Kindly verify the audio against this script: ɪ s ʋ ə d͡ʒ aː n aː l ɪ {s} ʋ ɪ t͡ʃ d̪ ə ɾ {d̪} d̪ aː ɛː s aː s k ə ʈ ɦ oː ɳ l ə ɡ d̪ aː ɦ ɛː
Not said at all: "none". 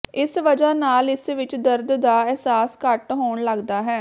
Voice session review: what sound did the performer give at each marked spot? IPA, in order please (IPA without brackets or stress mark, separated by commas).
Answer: s, d̪